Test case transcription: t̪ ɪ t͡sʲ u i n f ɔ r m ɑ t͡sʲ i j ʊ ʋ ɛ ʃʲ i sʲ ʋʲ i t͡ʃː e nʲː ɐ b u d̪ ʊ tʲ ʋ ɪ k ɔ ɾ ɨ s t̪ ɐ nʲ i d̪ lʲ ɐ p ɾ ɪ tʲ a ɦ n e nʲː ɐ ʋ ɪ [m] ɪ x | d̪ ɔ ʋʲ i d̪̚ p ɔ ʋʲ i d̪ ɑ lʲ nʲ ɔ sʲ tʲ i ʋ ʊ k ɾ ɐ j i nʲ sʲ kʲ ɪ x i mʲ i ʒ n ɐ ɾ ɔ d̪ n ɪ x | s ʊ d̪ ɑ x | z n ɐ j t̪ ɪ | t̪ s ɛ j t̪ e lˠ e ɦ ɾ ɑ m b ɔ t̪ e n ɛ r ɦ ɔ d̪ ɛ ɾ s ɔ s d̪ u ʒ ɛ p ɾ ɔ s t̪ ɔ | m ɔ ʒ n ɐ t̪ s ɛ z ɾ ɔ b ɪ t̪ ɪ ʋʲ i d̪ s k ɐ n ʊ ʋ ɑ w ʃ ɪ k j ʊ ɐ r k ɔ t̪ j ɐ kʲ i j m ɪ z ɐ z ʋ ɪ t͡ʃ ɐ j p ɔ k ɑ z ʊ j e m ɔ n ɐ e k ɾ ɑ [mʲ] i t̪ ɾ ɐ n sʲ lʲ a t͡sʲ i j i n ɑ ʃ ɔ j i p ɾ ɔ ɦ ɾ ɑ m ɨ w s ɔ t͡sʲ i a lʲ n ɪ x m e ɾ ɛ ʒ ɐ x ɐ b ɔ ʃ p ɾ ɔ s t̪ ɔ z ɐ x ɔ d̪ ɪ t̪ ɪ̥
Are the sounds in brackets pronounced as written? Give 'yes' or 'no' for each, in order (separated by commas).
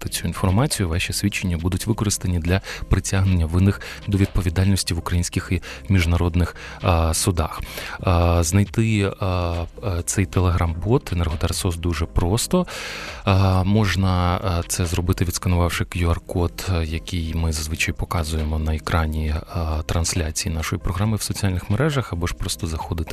no, no